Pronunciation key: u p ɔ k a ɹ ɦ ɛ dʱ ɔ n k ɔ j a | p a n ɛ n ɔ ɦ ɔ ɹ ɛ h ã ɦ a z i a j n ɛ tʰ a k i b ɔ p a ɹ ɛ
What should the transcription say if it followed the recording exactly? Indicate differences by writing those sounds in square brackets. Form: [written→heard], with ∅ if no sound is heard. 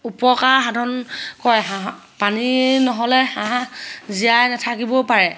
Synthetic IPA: u p ɔ k a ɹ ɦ [ɛ→a] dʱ ɔ n k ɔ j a | p a n [ɛ→i] n ɔ ɦ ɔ [ɹ→l] ɛ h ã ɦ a z i a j n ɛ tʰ a k i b ɔ p a ɹ ɛ